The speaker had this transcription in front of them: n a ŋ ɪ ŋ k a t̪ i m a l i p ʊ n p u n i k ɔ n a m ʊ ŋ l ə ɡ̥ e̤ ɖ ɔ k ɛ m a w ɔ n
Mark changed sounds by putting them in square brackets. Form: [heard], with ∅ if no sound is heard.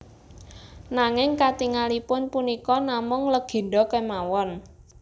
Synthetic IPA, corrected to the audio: n a ŋ ɪ ŋ k a t̪ i [ŋ] a l i p ʊ n p u n i k ɔ n a m ʊ ŋ l ə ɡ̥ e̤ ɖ ɔ k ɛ m a w ɔ n